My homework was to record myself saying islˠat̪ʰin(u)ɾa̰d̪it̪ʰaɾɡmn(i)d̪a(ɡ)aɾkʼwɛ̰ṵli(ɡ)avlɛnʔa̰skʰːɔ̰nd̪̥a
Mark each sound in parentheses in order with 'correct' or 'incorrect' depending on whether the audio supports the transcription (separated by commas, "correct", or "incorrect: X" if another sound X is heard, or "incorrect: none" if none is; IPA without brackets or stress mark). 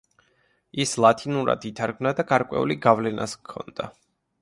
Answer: correct, incorrect: a, correct, correct